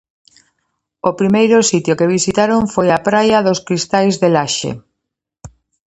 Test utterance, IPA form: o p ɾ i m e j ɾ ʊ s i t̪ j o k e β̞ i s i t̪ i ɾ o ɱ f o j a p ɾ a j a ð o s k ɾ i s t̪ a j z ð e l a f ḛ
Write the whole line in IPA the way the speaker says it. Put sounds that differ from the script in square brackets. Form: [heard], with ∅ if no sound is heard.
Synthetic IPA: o p ɾ i m e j ɾ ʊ s i t̪ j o k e β̞ i s i t̪ [a] ɾ o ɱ f o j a p ɾ a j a ð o s k ɾ i s t̪ a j z ð e l a [ʃ] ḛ